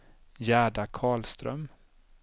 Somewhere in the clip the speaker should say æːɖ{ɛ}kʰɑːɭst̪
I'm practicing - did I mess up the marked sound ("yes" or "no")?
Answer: yes